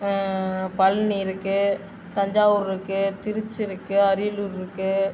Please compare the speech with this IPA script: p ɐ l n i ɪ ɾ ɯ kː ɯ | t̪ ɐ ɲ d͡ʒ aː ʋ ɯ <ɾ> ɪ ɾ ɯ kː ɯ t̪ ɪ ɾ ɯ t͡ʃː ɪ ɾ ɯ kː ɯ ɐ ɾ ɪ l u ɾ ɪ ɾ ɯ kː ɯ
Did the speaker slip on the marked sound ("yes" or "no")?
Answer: no